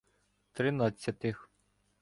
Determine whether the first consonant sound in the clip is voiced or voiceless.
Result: voiceless